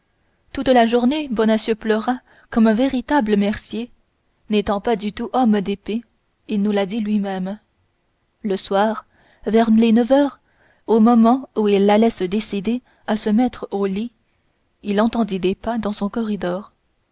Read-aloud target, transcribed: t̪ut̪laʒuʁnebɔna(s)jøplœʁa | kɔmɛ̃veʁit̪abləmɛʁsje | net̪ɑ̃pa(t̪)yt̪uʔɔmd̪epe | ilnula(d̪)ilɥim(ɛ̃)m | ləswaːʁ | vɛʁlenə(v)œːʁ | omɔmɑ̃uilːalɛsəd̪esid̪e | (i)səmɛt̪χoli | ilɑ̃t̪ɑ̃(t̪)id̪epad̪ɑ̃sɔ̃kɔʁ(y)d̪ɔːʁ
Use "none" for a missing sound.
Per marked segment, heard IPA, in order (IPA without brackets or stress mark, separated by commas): s, d̪, d̪, ɛ, v, a, d̪, i